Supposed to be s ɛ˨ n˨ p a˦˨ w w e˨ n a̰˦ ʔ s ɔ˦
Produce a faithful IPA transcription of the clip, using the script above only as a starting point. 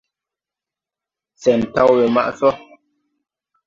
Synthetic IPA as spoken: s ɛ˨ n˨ t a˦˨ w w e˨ m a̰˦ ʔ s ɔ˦